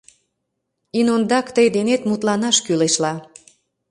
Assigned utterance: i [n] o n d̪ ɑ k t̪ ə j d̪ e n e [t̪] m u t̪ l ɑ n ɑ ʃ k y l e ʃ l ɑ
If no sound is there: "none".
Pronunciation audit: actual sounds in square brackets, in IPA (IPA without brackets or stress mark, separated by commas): n, t̪